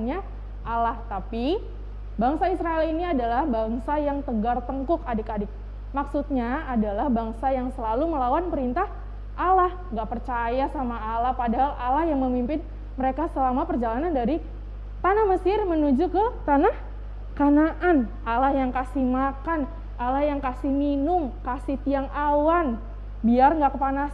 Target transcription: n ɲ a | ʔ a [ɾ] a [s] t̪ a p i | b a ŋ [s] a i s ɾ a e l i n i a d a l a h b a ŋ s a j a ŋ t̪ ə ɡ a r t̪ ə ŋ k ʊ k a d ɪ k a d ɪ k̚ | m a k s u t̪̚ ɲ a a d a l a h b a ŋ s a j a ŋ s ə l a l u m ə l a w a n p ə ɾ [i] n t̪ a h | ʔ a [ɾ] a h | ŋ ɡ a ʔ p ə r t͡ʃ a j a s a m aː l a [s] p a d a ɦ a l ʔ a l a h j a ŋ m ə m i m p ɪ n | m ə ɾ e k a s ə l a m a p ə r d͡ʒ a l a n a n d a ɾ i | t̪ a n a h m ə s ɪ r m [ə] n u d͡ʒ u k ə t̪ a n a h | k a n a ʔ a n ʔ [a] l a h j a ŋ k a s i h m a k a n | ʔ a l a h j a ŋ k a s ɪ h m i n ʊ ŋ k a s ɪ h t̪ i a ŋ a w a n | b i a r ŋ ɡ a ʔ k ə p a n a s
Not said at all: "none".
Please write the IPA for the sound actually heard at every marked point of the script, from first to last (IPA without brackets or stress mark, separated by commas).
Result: l, h, s, i, l, h, ə, a